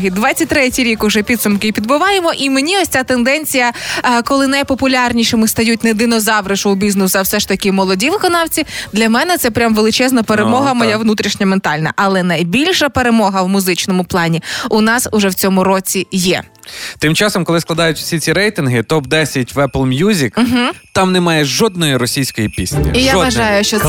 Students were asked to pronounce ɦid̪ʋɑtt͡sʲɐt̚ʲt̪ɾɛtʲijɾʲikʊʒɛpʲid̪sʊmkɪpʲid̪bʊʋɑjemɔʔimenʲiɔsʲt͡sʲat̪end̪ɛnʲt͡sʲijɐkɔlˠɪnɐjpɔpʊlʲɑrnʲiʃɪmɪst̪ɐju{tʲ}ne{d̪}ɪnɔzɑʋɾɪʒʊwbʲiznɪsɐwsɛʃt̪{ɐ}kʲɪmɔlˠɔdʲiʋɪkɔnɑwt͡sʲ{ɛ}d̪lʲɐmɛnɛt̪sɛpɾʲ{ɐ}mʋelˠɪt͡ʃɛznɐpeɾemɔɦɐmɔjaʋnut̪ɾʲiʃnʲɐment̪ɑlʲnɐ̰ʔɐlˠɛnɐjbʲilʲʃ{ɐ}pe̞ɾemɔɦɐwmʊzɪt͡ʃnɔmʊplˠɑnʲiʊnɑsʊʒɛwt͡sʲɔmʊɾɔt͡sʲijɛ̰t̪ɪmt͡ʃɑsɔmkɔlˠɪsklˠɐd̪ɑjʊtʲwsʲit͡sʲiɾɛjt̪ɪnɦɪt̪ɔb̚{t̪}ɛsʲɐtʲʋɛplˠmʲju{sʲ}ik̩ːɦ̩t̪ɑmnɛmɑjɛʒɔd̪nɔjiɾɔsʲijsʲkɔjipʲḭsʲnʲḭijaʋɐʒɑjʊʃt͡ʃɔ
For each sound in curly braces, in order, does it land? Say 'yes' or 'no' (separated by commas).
yes, yes, yes, no, no, yes, no, no